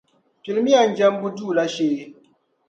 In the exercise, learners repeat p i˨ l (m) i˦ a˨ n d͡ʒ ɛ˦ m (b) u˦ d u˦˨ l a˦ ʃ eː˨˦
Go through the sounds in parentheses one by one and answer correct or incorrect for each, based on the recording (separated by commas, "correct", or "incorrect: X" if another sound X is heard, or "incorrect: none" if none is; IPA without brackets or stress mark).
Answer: correct, correct